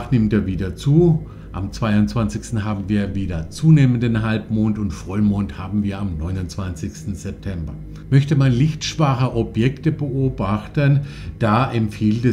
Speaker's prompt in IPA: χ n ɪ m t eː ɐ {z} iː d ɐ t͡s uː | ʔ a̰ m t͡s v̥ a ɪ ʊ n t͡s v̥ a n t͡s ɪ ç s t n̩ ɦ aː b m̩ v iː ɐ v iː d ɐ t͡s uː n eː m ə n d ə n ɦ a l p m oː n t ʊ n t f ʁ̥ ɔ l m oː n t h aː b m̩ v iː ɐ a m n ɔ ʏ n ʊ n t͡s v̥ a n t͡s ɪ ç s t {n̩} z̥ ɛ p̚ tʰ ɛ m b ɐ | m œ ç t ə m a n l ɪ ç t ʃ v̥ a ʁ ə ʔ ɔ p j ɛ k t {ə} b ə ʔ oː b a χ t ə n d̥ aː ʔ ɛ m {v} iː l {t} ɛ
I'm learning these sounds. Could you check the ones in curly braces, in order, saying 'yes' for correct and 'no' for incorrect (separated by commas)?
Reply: no, yes, yes, no, yes